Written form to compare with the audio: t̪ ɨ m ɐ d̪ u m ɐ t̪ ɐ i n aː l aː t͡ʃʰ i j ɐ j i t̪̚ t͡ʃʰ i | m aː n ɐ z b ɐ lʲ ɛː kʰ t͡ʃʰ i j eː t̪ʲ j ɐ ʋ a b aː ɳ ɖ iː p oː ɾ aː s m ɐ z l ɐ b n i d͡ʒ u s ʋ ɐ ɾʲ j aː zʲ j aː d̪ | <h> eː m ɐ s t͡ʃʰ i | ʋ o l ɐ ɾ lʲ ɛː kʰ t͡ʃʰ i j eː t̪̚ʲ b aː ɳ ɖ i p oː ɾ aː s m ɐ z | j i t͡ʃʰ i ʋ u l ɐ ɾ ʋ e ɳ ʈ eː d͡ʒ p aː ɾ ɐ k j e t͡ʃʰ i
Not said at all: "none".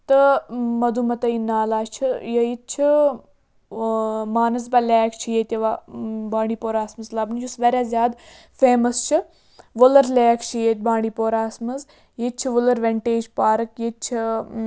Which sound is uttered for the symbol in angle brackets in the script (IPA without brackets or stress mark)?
f